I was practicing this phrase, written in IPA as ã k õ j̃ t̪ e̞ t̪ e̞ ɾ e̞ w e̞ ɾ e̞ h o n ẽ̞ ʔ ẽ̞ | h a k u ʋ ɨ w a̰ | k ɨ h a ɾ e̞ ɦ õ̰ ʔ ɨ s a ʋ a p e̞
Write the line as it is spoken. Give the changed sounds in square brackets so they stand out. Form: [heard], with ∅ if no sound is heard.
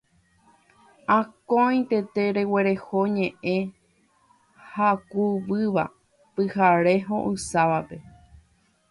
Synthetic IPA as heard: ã k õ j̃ t̪ e̞ t̪ e̞ ɾ e̞ w e̞ ɾ e̞ h o [ɲ] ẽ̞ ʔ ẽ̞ | h a k u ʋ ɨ [ʋ] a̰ | [p] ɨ h a ɾ e̞ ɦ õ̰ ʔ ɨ s a ʋ a p e̞

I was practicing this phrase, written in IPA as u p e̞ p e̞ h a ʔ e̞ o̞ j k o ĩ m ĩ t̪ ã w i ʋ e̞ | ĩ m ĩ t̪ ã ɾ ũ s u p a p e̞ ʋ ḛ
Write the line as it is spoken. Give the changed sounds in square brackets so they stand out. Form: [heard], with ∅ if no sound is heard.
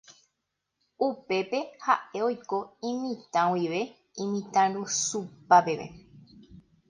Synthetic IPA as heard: u p e̞ p e̞ h a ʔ e̞ o̞ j k o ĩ m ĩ t̪ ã w i ʋ e̞ | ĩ m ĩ t̪ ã ɾ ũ s u p a p e̞ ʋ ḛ

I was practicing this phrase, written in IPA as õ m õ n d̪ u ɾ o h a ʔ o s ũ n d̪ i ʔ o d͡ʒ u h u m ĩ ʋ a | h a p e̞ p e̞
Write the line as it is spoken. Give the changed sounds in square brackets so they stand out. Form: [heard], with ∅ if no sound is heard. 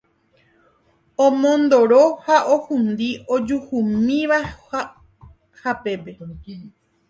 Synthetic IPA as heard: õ m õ n d̪ [o] ɾ o h a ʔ o [h] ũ n d̪ i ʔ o d͡ʒ u h u m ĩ ʋ a | h a p e̞ p e̞

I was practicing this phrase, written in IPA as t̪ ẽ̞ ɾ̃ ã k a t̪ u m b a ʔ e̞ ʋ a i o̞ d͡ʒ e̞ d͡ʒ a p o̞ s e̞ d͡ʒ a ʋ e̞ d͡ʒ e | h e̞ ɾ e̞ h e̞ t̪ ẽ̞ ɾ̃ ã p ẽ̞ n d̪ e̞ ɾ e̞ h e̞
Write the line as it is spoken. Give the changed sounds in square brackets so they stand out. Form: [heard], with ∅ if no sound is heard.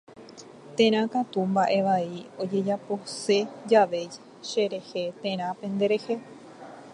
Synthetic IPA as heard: t̪ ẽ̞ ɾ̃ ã k a t̪ u m b a ʔ e̞ ʋ a i o̞ d͡ʒ e̞ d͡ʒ a p o̞ s e̞ d͡ʒ a ʋ e̞ d͡ʒ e | [ʃ] e̞ ɾ e̞ h e̞ t̪ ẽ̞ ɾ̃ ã p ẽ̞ n d̪ e̞ ɾ e̞ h e̞

